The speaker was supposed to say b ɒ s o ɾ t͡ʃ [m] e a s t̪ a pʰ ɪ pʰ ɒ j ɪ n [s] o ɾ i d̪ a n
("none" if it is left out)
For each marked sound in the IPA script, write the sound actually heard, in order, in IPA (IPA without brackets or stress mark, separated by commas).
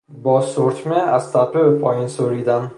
m, s